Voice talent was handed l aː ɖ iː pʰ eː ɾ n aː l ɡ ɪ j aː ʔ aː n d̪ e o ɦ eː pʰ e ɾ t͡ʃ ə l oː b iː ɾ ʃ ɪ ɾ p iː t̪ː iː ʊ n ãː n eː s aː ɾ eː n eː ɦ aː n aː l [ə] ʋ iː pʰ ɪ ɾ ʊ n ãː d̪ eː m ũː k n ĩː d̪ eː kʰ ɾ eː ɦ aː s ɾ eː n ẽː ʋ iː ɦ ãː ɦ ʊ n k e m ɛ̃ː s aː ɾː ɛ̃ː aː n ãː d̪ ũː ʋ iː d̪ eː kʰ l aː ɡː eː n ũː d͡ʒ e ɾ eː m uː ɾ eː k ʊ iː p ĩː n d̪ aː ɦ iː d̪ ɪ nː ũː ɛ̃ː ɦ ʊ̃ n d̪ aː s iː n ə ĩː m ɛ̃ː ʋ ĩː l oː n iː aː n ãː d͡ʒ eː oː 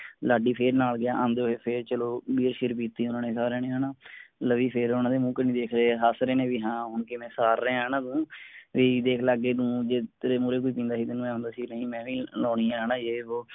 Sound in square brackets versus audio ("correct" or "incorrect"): correct